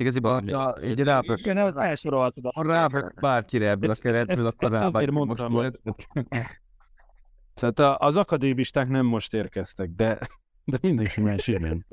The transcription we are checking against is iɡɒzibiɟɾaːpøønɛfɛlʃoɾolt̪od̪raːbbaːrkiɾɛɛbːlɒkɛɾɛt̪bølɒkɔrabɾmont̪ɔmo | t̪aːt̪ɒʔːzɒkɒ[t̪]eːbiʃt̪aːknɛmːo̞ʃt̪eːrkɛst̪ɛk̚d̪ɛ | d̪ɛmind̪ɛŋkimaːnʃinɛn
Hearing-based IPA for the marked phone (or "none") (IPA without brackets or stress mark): d̪